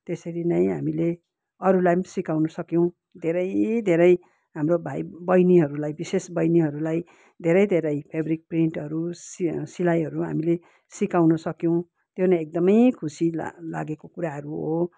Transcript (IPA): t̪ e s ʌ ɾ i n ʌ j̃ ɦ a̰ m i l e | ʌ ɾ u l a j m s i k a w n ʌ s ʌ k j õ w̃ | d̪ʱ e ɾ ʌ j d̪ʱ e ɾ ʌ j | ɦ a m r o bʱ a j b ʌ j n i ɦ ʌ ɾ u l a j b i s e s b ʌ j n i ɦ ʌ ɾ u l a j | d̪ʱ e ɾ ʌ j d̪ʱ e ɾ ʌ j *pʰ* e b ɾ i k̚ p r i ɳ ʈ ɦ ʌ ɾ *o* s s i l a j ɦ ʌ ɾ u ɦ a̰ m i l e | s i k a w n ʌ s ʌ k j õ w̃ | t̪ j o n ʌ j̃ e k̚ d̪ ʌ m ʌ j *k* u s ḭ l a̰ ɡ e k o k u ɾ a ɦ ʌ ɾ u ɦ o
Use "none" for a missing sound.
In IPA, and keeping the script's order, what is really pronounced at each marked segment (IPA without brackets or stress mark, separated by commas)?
pʰ, u, kʰ